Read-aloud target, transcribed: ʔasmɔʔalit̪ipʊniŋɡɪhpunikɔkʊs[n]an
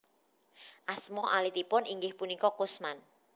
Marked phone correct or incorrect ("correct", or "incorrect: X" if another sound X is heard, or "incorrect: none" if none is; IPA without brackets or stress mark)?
incorrect: m